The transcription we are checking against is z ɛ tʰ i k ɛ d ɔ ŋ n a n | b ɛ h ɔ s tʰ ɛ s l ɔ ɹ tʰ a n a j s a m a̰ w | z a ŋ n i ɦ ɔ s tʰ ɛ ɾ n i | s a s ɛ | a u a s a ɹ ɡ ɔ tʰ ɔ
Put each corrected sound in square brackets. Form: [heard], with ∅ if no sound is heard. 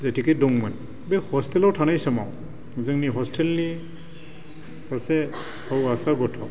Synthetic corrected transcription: z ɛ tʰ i k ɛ d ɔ ŋ [m] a n | b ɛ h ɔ s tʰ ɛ [∅] l ɔ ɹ tʰ a n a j s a m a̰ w | z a ŋ n i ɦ ɔ s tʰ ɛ [l] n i | s a s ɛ | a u a s a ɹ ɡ ɔ tʰ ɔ